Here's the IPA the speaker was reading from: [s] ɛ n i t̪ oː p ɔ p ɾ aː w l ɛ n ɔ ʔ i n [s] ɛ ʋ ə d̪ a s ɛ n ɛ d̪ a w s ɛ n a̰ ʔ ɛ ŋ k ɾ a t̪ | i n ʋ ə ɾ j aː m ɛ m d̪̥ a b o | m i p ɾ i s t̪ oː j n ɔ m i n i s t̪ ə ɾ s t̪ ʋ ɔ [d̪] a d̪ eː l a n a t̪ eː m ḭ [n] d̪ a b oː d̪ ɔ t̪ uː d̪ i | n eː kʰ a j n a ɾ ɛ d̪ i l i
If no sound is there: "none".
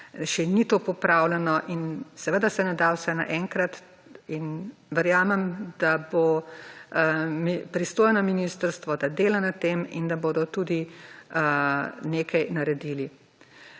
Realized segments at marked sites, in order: ʃ, s, d̪, n

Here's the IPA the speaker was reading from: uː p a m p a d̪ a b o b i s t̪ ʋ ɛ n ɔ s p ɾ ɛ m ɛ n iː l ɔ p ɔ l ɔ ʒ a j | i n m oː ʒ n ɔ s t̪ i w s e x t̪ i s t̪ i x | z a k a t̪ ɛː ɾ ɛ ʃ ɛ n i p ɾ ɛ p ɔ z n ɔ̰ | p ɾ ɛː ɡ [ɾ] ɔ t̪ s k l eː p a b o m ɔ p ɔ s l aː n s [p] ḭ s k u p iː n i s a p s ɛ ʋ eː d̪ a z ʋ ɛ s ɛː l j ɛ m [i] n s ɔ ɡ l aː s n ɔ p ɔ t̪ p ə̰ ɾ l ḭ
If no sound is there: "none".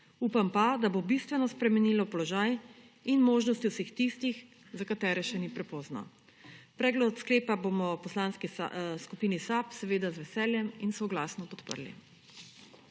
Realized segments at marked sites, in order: l, k, i

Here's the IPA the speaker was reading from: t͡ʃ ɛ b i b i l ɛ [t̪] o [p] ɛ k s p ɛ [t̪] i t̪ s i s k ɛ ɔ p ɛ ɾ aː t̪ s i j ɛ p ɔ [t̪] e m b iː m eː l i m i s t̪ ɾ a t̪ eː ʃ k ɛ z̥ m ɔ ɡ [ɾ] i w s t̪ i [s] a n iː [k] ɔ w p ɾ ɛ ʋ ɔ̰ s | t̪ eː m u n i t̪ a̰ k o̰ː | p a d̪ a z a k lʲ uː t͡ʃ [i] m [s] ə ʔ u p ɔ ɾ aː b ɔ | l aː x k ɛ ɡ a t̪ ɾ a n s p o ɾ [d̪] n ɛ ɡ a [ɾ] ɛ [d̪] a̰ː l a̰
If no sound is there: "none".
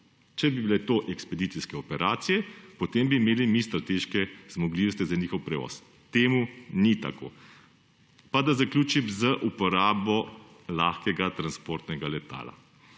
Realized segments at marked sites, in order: t̪, ʔ, d̪, t̪, l, z, x, i, z, t̪, l, t̪

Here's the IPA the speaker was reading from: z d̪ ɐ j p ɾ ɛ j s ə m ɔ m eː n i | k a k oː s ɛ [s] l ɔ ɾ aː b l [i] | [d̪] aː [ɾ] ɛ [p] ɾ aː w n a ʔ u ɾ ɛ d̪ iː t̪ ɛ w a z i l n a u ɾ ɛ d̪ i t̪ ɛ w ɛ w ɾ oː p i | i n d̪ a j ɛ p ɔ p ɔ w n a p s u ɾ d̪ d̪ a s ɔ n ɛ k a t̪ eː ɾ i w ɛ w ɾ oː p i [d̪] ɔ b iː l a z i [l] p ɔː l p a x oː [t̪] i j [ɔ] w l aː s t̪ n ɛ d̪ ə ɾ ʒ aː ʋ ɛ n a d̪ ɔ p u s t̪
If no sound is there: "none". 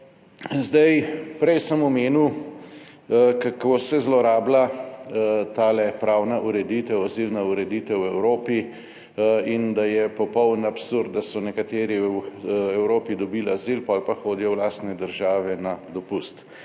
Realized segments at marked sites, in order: z, a, t̪, l, p, d̪, l, d̪, ɔ

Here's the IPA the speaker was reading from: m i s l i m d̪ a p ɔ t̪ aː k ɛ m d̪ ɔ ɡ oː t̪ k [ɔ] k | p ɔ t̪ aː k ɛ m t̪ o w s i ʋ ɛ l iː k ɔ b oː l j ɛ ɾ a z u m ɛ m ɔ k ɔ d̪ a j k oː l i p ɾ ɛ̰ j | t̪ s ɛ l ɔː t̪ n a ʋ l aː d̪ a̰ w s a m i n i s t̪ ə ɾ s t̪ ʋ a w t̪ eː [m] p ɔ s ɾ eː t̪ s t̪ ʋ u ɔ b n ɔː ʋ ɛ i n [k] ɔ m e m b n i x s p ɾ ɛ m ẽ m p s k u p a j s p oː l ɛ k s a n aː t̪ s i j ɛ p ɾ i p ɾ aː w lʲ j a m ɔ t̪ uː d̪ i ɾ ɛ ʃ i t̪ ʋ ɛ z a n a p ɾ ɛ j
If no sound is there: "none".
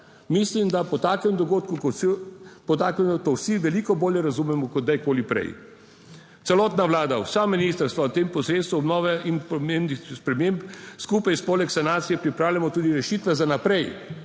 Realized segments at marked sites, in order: u, m, p

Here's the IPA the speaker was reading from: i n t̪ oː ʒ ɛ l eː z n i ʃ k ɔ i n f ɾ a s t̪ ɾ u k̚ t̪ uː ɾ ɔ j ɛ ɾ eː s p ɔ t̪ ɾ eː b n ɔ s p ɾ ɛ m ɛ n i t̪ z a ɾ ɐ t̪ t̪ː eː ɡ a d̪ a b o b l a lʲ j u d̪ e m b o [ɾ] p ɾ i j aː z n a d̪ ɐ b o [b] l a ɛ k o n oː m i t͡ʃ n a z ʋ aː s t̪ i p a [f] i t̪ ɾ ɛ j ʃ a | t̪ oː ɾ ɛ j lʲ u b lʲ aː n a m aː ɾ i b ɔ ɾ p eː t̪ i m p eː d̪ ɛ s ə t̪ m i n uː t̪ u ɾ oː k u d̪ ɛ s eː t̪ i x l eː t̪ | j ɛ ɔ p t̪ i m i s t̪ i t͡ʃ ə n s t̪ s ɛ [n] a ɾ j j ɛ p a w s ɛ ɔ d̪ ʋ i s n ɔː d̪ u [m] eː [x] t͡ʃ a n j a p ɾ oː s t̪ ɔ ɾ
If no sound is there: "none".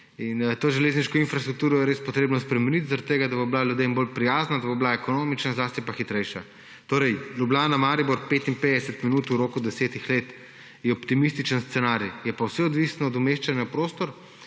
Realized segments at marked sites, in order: l, b, x, n, m, ʃ

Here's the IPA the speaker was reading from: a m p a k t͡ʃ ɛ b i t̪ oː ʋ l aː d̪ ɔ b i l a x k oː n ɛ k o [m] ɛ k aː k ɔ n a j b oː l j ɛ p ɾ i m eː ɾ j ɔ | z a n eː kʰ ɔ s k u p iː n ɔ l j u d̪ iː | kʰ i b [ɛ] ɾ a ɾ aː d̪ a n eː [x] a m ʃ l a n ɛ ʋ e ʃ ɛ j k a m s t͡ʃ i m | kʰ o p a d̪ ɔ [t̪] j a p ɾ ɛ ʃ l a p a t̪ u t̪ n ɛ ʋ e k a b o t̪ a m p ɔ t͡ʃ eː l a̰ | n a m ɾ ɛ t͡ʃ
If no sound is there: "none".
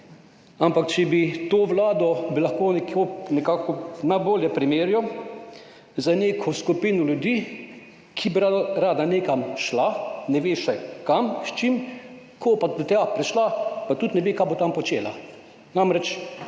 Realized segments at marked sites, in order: n, i, k, t̪

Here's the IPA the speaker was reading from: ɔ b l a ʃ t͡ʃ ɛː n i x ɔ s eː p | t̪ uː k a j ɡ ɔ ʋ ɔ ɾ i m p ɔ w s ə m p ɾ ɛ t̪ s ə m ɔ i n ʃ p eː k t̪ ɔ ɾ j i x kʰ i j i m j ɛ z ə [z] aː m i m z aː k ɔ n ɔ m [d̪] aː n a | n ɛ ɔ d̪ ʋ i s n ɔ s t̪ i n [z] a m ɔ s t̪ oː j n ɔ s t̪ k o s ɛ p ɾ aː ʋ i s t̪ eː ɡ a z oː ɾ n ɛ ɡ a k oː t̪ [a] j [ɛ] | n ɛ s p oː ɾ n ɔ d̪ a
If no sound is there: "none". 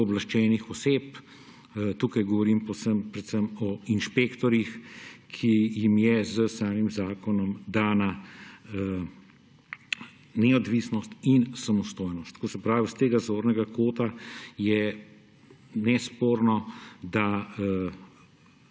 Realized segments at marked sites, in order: s, d̪, s, a, ɛ

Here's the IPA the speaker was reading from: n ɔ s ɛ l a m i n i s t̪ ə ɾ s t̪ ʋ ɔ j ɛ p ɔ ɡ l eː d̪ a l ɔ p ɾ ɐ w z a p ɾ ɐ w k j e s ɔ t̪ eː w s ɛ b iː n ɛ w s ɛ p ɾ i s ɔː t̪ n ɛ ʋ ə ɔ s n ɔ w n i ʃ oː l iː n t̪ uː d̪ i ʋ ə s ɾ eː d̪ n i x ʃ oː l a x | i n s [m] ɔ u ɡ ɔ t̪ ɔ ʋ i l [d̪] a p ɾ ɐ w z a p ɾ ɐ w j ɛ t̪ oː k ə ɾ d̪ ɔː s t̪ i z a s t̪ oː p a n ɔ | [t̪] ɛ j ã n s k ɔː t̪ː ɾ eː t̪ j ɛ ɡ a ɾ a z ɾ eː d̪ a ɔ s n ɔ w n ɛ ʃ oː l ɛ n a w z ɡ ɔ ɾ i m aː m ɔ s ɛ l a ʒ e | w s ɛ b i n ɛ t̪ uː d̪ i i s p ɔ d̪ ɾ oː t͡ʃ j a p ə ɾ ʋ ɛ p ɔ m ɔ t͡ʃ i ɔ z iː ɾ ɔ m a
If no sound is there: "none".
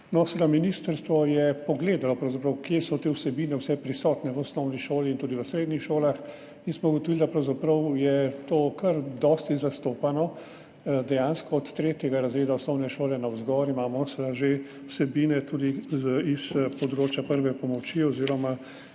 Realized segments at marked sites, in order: m, d̪, d̪

